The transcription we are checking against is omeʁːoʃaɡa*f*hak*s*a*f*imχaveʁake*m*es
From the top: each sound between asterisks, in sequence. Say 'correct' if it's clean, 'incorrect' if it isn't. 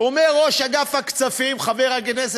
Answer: correct, incorrect: t͡s, correct, incorrect: n

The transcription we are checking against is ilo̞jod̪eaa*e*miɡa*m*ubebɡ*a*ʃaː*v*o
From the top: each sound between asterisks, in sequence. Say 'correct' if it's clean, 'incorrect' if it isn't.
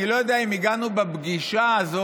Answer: incorrect: i, incorrect: n, incorrect: i, incorrect: z

